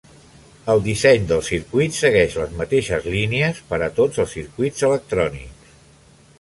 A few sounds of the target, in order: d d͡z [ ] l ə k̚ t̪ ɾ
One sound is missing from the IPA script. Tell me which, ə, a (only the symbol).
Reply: ə